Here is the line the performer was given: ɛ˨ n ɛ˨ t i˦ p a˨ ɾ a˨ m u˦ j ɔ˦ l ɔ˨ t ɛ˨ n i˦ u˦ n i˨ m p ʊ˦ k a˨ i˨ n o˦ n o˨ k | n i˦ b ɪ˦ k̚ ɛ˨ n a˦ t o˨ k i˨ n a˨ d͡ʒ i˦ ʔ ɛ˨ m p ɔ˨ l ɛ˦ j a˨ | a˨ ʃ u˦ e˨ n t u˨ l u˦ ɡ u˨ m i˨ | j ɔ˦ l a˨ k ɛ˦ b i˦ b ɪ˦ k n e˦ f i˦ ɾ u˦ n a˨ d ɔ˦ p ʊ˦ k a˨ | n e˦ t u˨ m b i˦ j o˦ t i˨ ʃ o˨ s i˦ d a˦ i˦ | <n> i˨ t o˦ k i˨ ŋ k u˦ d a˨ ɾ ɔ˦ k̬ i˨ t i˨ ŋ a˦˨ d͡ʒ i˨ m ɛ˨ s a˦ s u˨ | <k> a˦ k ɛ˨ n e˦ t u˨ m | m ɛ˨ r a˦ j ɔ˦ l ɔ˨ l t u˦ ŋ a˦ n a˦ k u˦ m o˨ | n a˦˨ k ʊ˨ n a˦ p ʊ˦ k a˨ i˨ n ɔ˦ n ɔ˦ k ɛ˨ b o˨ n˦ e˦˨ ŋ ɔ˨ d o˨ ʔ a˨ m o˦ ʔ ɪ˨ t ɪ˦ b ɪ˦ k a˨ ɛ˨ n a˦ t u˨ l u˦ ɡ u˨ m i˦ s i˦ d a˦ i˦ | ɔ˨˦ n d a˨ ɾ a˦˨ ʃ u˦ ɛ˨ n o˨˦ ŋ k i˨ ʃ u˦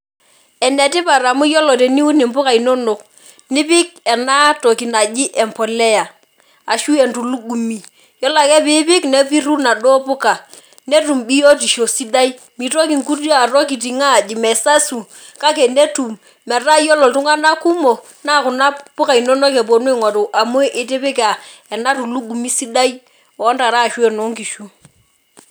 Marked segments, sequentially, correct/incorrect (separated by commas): incorrect, correct